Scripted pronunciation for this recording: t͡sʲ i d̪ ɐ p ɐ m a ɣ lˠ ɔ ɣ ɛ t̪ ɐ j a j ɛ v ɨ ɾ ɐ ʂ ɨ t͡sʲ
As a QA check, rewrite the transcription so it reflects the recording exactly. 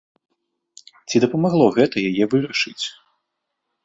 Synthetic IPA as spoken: t͡sʲ i d̪ ɐ p ɐ m a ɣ lˠ ɔ ɣ ɛ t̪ ɐ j a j ɛ v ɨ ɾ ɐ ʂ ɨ t͡sʲ